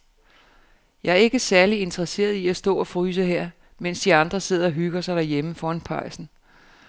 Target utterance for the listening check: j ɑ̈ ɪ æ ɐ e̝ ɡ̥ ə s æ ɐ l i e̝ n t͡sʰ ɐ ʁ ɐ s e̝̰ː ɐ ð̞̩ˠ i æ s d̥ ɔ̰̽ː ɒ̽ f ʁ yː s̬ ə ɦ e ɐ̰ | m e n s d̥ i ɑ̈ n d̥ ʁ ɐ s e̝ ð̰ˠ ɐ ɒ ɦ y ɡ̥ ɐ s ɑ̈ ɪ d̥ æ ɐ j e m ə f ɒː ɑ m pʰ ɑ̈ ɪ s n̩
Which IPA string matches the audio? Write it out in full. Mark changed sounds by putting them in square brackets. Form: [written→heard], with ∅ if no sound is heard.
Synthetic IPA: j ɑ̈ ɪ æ ɐ e̝ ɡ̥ ə s æ ɐ l i e̝ n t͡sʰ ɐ ʁ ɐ s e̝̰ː ɐ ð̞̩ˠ i æ s d̥ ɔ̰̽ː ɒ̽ f ʁ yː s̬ ə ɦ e ɐ̰ | m e n s d̥ i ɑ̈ n d̥ ʁ ɐ s e̝ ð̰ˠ ɐ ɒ ɦ y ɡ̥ ɐ s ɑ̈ ɪ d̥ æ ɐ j e m ə f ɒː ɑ [m→n] pʰ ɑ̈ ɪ s n̩